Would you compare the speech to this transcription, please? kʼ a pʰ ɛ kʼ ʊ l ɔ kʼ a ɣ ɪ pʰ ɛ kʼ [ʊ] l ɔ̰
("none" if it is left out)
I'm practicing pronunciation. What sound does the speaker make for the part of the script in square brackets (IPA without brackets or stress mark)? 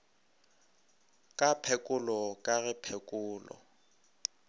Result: ʊː